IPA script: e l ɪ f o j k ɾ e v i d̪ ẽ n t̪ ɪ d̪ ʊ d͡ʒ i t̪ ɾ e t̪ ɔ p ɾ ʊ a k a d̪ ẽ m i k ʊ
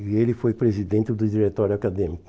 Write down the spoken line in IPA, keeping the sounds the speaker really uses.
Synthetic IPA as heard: e l ɪ f o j p ɾ e z i d̪ ẽ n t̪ ɪ d̪ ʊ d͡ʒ i ɾ e t̪ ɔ ɾ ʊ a k a d̪ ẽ m i k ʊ